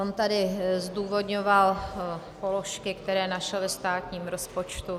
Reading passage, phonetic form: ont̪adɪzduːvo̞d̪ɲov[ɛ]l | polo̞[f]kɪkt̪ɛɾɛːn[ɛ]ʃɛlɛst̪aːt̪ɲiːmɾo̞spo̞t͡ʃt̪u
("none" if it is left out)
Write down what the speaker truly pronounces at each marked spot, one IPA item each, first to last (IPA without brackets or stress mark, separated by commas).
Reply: a, ʃ, a